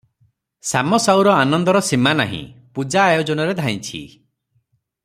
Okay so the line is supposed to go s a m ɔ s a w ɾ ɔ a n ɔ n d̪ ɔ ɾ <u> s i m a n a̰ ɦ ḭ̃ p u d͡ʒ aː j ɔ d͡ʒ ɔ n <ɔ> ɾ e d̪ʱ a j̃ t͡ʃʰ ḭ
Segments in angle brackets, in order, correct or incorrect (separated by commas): incorrect, correct